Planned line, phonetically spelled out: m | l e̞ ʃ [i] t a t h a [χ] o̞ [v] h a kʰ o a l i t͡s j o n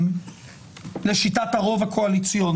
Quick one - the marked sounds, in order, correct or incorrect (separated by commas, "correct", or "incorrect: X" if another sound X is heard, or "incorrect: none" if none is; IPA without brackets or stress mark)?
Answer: correct, incorrect: ʁ, correct